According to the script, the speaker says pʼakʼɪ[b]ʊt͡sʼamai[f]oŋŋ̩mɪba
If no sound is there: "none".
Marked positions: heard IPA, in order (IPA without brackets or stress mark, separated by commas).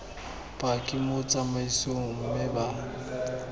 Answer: m, s